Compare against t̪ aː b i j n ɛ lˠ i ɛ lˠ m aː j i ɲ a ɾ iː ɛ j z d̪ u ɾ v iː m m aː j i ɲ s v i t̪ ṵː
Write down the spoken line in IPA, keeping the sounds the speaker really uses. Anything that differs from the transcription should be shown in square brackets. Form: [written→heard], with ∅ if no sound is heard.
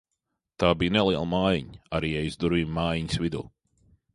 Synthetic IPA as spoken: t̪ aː b i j n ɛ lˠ i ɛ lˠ m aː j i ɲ a ɾ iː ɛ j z d̪ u ɾ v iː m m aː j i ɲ s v i [t̪→d̪] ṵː